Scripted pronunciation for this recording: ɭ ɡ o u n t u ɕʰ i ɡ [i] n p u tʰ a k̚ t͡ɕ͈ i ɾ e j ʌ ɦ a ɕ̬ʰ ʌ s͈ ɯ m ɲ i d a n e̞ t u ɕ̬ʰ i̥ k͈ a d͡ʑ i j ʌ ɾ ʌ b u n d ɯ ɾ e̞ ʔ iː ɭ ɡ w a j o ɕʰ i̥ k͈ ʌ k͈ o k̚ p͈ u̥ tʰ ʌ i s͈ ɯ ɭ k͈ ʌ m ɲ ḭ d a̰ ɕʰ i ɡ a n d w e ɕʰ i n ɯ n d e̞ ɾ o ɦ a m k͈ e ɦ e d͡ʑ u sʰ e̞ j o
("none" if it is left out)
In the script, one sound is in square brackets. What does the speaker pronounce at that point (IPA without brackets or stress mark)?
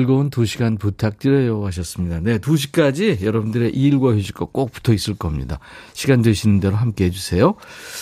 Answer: a